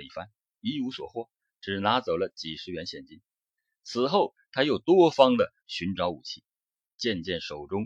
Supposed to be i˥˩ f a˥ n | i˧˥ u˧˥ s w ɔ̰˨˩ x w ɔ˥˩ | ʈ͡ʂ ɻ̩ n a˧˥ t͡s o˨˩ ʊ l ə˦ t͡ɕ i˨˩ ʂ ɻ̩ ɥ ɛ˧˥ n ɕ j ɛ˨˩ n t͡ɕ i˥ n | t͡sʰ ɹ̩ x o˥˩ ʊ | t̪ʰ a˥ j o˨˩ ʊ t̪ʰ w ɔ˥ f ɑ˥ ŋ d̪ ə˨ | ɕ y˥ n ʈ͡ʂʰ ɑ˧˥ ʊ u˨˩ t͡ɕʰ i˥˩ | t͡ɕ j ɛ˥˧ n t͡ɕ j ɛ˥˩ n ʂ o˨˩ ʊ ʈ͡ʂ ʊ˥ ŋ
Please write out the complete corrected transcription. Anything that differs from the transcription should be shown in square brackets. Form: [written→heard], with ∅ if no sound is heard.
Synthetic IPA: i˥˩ f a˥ n | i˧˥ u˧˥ s w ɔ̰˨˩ x w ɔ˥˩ | ʈ͡ʂ ɻ̩ n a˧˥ t͡s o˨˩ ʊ l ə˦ t͡ɕ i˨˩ ʂ ɻ̩ ɥ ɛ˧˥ n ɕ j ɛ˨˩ n t͡ɕ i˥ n | t͡sʰ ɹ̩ x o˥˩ ʊ | t̪ʰ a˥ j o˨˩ ʊ [t̪ʰ→t̪] w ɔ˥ f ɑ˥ ŋ d̪ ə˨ | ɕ [y˥→y˧˥] n [ʈ͡ʂʰ→ʈ͡ʂ] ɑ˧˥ ʊ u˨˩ t͡ɕʰ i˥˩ | t͡ɕ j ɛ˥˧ n t͡ɕ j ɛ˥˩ n ʂ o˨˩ ʊ ʈ͡ʂ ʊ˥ ŋ